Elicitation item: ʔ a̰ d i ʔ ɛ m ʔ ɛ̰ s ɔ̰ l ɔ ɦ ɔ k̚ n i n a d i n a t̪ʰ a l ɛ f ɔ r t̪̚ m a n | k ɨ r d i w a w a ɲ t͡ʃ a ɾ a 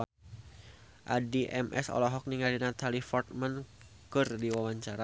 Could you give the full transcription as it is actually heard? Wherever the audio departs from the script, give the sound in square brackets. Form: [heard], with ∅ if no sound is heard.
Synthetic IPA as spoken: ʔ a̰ d i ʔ ɛ m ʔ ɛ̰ s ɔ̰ l ɔ ɦ ɔ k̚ n i [ŋ] a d i n a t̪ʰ a l [i] f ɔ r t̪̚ m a n | k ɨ r d i w a w a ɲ t͡ʃ a ɾ a